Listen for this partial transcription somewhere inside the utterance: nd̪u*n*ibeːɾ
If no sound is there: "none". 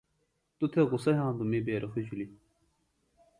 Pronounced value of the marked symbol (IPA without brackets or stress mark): m